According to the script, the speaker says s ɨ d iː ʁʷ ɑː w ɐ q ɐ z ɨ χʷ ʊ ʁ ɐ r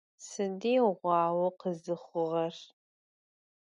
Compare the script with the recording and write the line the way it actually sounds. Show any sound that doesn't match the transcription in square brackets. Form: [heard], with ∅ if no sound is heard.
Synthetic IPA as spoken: s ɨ d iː ʁʷ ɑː w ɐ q [ə] z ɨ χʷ ʊ ʁ ɐ r